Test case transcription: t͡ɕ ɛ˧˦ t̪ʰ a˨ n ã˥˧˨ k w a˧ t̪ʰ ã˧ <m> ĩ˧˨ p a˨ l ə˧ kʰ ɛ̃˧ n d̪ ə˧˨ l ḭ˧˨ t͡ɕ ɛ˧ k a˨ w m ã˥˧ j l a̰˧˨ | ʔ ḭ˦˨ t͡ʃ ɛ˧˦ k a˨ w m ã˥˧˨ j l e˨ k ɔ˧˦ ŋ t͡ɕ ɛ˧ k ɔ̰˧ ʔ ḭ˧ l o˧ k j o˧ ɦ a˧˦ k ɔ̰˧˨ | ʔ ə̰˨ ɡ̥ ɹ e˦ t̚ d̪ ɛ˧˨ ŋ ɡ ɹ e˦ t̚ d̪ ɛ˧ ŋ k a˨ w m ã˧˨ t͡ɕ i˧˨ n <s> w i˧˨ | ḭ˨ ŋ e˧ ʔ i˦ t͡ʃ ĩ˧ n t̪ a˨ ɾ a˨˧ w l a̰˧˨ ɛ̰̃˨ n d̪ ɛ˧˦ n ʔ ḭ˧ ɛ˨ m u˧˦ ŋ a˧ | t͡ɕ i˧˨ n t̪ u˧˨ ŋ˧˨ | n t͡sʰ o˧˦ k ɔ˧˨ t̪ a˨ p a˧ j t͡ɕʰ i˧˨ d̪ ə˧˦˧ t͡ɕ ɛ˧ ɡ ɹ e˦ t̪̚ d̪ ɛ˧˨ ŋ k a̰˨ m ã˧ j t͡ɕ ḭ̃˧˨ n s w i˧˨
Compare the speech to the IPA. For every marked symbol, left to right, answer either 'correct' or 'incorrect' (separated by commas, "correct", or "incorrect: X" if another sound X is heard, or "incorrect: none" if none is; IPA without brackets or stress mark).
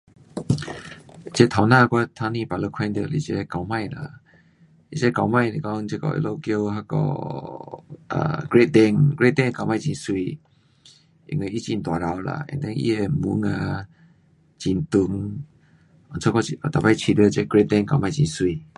incorrect: n, correct